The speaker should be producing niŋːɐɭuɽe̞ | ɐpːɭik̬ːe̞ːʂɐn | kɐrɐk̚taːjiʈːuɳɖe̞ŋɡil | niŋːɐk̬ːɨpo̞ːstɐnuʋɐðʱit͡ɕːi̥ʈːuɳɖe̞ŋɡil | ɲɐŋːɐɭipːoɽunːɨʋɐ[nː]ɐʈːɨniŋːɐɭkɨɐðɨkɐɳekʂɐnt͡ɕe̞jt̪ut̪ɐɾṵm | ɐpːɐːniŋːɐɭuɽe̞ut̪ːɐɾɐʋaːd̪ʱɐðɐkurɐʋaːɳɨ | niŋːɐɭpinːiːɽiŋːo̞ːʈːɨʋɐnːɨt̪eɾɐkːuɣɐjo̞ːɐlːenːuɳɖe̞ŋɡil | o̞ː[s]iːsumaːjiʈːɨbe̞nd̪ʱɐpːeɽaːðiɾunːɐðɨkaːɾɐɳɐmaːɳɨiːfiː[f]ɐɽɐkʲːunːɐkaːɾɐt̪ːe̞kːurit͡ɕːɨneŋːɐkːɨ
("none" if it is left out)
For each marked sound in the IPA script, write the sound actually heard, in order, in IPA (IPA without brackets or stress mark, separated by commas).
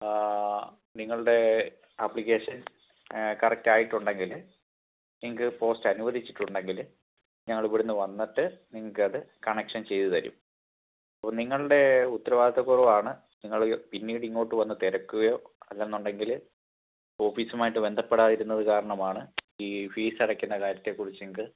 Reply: nː, f, s